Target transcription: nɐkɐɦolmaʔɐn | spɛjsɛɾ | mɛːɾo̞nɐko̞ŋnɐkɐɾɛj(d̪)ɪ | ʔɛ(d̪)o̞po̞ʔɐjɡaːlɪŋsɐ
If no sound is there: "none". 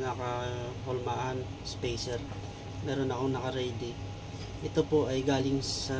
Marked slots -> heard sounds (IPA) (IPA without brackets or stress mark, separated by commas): d̪, t̪